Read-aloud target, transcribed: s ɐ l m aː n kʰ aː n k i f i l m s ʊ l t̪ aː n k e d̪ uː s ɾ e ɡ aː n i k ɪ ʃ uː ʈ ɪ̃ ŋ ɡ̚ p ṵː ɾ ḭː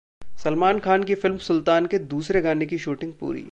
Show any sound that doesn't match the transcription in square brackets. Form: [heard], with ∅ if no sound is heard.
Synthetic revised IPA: s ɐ l m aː n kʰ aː n k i f [ɪ] l m s ʊ l t̪ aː n k e d̪ uː s ɾ e ɡ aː n [e] k [i] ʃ uː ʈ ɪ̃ ŋ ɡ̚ p ṵː ɾ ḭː